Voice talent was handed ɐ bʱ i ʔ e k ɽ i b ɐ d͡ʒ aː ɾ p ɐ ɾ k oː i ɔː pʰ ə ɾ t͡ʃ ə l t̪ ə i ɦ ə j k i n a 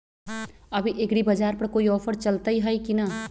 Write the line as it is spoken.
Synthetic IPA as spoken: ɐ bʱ i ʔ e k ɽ i b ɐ d͡ʒ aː ɾ p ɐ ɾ k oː i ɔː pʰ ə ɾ t͡ʃ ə l t̪ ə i ɦ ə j k i n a